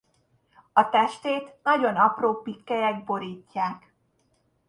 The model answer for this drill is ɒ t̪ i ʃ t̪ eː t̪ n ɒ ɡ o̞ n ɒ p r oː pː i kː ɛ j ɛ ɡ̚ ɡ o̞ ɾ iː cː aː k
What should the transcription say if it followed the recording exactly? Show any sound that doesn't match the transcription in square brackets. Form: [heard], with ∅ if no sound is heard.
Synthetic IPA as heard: ɒ t̪ [ɛ] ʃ t̪ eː t̪ n ɒ [ɟ] o̞ n ɒ p r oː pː i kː ɛ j ɛ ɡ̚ [b] o̞ ɾ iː cː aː k